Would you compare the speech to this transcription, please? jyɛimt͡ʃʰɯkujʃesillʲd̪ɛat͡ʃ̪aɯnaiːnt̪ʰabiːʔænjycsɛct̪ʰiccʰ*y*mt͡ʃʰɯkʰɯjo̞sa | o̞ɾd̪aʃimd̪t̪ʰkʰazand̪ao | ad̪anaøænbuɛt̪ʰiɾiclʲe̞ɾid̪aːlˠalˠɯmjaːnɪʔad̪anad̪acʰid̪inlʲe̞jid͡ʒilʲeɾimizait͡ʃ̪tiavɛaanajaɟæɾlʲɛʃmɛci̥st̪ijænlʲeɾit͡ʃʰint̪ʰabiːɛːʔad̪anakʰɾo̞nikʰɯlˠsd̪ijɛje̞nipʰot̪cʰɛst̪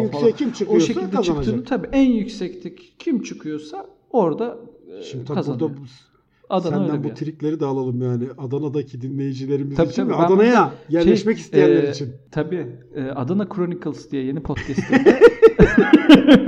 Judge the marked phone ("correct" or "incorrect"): incorrect